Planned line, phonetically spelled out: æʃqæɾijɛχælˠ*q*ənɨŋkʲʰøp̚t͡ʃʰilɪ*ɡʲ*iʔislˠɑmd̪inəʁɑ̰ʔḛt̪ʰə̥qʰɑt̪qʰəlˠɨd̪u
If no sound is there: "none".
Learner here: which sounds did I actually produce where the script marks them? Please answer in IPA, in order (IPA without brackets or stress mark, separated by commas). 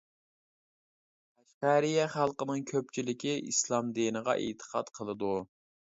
q, kʲ